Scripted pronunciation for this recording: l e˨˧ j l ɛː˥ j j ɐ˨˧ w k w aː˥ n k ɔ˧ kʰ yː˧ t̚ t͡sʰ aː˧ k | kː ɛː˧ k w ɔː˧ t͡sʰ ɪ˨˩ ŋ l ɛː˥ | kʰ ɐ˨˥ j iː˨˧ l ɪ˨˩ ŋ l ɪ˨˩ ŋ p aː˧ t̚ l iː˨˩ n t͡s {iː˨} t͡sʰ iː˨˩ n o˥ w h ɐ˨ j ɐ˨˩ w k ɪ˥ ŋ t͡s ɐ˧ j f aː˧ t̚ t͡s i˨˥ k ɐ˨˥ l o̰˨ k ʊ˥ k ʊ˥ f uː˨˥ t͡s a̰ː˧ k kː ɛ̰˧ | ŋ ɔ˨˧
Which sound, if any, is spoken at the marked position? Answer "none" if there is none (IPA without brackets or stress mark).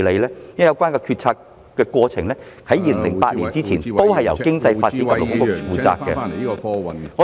iː˥